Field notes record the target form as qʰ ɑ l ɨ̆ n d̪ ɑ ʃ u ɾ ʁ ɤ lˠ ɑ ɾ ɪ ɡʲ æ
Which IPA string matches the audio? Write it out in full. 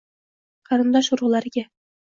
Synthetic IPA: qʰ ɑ ɾ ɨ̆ n d̪ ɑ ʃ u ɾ ʁ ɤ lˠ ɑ ɾ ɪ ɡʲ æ

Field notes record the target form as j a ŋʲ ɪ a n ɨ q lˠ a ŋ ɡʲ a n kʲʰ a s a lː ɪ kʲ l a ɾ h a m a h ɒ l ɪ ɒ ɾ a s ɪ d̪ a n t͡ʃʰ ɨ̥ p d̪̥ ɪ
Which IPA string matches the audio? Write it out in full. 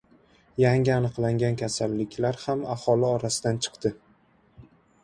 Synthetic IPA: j a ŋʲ ɪ a n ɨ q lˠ a ŋ ɡʲ a n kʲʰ a s a lː ɪ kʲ l a ɾ h a m a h ɒ l ɪ ɒ ɾ a s ɪ d̪ a n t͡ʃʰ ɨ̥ q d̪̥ ɪ

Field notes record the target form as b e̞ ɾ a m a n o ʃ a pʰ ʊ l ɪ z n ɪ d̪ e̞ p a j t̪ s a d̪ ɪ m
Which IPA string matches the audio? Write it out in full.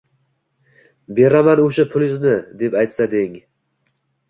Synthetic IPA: b e̞ ɾ a m a n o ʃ a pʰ ʊ l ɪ z n ɪ d̪ e̞ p a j t̪ s a d̪ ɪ ŋ

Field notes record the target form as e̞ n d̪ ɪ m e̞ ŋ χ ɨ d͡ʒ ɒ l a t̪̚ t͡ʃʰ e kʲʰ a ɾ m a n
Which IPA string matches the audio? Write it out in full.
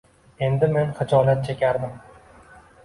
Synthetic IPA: e̞ n d̪ ɪ m e̞ n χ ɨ d͡ʒ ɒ l a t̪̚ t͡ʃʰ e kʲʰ a ɾ m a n

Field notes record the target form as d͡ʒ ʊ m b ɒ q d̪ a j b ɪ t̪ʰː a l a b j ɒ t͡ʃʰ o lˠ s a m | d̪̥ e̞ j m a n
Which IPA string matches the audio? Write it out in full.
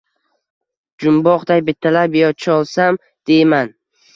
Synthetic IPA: d͡ʒ ʊ m b ɒ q d̪ a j b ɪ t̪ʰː a l a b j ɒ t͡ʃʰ ɒ lˠ s a m | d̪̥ e̞ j m a n

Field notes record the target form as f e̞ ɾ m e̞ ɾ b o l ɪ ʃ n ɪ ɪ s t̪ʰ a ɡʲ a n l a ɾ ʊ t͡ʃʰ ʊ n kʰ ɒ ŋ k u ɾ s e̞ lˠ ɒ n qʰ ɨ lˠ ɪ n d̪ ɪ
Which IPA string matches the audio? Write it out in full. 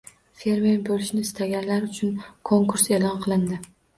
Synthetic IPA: f e̞ ɾ m e̞ ɾ b o l ɪ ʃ n ɪ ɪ s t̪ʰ a ɡʲ a n l a ɾ ʊ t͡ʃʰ ʊ n kʰ o ŋ k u ɾ s e̞ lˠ ɒ n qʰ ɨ lˠ ɪ n d̪ ɪ

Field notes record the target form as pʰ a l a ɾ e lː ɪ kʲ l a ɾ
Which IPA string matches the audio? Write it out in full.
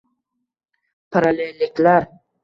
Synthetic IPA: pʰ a ɾ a l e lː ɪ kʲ l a ɾ

